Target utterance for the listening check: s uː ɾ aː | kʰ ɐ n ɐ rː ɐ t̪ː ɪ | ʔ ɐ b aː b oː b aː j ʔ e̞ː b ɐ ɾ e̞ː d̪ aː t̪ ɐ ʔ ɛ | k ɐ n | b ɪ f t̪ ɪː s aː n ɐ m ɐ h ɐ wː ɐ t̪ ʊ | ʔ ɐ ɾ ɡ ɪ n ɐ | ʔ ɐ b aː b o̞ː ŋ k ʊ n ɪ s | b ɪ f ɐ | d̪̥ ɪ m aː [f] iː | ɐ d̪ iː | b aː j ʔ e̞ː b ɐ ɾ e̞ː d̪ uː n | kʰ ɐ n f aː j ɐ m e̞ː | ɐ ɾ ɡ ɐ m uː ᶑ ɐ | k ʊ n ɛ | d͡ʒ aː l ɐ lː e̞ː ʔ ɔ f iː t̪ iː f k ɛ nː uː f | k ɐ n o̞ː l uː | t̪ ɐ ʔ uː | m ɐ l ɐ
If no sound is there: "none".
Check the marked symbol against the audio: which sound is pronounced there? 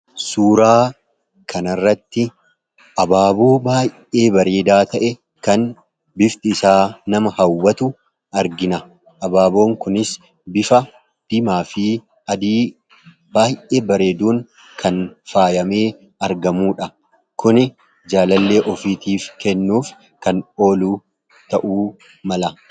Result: f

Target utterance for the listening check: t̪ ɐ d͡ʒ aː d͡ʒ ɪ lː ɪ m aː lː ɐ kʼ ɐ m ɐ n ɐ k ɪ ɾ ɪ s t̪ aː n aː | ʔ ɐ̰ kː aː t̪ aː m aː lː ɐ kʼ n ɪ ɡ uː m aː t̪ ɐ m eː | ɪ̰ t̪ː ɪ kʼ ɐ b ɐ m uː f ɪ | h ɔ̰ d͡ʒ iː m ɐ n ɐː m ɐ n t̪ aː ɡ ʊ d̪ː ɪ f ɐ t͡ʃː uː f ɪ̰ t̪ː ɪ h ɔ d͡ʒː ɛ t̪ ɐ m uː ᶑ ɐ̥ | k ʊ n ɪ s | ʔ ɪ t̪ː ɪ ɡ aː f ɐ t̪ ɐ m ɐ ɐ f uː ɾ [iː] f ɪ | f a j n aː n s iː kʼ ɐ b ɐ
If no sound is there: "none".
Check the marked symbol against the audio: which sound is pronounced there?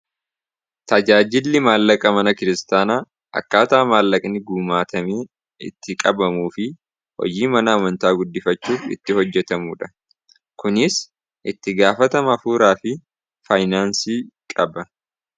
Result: aː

